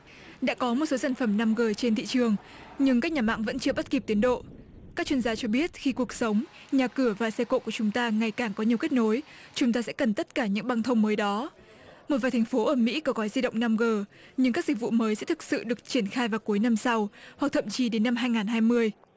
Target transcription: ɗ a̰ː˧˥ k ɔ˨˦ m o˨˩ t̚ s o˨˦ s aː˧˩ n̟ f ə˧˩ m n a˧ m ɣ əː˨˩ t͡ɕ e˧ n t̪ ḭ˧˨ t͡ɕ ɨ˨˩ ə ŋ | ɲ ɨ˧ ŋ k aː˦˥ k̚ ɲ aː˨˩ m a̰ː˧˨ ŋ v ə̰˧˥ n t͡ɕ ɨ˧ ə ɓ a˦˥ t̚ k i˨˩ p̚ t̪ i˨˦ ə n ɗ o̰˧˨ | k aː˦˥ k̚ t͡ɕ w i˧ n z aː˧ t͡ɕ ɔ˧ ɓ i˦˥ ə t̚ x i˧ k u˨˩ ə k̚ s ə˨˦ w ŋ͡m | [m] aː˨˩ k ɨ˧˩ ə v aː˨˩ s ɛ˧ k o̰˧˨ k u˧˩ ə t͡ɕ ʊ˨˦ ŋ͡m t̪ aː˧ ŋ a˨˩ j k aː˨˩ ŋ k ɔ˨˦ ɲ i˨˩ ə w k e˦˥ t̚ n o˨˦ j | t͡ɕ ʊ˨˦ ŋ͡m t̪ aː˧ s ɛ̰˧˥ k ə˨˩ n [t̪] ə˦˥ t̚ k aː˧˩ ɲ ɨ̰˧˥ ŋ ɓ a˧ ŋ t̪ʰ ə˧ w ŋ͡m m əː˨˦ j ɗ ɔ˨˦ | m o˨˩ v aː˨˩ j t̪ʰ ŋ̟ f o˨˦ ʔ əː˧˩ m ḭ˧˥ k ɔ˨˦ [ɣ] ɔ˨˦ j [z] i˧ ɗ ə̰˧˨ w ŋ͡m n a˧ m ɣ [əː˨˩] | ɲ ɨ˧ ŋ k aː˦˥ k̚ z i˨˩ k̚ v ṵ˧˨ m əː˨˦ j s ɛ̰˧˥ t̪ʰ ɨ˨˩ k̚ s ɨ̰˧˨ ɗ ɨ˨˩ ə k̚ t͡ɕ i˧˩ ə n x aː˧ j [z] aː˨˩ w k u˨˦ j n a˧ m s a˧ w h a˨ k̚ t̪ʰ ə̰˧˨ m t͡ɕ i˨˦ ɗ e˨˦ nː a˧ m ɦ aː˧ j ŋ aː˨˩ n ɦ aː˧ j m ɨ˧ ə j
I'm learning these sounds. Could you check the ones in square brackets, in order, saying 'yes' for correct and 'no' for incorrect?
no, yes, yes, yes, yes, no

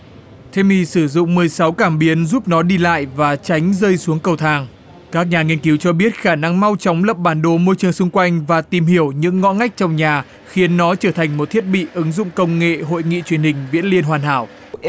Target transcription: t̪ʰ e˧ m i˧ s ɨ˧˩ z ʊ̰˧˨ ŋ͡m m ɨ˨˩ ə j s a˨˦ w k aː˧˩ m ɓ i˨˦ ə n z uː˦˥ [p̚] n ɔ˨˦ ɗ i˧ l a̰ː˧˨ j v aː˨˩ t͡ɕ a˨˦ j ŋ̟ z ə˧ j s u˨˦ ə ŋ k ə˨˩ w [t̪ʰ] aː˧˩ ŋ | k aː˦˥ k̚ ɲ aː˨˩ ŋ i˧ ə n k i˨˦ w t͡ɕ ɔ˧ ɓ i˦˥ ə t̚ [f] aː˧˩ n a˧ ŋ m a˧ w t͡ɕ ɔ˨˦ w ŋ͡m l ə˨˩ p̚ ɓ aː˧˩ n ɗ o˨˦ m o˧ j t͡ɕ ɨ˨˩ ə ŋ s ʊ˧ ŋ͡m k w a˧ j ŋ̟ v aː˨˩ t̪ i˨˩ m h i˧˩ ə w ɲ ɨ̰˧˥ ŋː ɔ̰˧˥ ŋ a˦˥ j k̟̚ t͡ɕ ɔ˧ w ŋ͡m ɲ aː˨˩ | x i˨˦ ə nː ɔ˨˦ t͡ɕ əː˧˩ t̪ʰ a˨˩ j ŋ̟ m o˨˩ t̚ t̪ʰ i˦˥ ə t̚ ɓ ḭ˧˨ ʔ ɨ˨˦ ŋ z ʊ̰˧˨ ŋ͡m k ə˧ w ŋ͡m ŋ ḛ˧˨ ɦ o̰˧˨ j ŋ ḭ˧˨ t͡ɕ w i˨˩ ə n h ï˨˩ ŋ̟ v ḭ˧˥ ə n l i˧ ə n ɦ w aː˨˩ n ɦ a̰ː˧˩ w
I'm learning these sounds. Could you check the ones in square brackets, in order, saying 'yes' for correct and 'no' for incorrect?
yes, yes, no

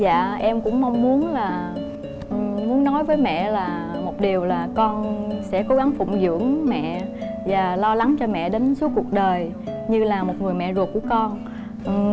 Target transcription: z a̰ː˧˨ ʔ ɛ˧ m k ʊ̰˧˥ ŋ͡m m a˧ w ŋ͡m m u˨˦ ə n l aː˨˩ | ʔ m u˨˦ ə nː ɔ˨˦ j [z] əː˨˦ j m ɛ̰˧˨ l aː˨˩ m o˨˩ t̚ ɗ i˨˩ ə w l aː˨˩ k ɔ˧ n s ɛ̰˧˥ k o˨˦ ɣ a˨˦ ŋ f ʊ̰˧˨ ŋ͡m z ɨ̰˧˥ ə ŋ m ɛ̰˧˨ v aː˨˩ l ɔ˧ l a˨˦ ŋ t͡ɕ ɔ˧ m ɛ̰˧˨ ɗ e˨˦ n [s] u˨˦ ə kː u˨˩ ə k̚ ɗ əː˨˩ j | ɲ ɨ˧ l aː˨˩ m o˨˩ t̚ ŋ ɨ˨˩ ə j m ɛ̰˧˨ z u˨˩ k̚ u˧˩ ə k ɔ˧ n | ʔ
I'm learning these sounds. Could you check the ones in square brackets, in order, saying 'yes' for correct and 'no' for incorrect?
no, yes

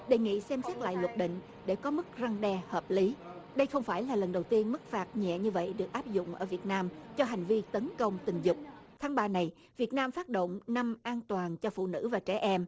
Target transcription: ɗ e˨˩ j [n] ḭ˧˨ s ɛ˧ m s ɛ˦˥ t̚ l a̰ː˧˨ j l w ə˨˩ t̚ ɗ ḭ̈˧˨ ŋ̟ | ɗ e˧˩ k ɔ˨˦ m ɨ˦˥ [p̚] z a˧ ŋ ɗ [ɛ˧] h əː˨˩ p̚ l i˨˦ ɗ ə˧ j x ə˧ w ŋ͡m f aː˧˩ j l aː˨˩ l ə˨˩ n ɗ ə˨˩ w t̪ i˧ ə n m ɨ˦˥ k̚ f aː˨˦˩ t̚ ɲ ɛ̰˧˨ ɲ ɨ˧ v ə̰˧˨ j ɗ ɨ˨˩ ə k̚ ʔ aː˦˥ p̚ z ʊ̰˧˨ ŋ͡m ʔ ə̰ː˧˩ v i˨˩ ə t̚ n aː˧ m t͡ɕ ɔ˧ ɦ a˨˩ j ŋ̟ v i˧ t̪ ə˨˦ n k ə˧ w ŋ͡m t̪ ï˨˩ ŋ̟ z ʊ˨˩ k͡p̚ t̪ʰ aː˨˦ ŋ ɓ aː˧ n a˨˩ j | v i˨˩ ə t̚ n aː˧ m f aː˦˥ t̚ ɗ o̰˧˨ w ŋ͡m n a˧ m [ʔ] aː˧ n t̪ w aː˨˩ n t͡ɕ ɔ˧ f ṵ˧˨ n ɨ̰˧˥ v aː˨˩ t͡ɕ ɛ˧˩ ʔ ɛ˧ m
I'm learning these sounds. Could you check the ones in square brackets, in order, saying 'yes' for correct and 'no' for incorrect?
no, no, yes, yes

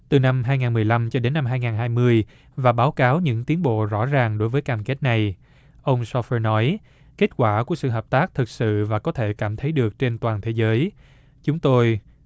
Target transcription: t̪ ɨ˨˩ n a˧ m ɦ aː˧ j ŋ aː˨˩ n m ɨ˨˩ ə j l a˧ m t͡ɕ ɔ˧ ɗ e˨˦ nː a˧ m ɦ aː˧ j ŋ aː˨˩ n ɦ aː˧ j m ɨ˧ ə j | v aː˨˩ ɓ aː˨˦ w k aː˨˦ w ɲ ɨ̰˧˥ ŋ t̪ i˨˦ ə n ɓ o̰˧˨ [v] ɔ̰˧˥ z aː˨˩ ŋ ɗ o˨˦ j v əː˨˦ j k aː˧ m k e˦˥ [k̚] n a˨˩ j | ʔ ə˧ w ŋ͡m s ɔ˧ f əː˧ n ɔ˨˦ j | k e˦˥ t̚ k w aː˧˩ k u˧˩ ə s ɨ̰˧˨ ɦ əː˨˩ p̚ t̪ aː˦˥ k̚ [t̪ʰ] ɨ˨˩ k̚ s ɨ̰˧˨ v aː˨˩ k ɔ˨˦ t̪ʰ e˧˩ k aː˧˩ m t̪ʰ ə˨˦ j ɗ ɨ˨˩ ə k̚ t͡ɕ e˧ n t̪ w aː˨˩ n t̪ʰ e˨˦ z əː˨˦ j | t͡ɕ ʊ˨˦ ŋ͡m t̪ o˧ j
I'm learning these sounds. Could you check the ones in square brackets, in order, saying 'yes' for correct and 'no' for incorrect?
no, no, yes

